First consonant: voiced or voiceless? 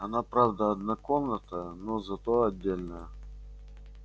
voiced